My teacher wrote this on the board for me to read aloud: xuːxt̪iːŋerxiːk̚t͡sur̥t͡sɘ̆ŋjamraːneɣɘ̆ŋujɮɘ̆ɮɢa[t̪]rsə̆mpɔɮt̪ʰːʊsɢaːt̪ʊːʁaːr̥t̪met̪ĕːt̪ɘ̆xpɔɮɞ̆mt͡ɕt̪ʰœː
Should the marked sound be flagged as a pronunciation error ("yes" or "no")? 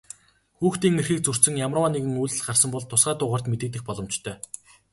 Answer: yes